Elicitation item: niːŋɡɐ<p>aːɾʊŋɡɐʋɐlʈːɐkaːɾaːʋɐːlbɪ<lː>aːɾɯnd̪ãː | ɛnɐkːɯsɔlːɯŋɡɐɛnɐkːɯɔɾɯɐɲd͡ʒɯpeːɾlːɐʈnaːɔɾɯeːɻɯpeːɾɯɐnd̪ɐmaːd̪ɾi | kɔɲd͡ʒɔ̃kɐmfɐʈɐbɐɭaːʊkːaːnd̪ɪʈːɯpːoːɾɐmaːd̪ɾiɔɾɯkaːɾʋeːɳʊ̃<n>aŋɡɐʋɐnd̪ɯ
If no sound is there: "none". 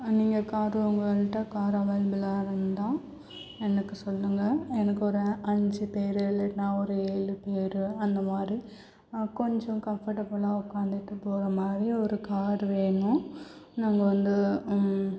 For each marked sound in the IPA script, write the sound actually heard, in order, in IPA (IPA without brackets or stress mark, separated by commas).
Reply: k, l, n